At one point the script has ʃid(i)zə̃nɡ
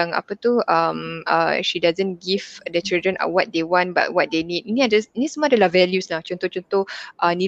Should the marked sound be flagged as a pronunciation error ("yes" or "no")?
yes